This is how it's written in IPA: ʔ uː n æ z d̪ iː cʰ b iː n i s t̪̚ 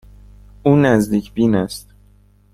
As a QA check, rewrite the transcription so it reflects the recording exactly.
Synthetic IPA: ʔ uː n æ z d̪ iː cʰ b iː n æ s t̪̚